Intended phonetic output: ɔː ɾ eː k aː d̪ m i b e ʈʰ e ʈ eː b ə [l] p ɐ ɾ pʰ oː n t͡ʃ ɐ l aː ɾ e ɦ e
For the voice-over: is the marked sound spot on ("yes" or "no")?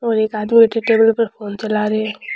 yes